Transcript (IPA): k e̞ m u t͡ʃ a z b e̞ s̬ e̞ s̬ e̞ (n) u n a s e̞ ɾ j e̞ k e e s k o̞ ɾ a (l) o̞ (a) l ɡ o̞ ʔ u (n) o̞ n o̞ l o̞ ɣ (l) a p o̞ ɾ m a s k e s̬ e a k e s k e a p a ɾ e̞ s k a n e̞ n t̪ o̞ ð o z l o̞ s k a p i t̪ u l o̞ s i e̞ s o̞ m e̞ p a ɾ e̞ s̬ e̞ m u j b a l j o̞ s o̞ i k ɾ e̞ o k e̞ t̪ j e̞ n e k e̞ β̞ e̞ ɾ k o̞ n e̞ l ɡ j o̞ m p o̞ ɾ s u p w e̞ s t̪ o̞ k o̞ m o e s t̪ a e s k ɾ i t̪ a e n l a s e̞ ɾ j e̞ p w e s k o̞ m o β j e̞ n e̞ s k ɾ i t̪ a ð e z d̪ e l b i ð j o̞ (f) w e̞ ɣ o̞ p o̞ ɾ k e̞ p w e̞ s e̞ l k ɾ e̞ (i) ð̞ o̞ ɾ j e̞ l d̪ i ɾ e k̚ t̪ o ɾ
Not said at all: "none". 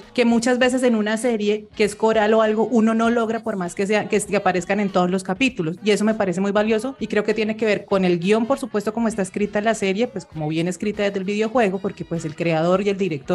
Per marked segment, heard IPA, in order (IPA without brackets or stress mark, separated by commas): n, l, a, n, ɾ, x, a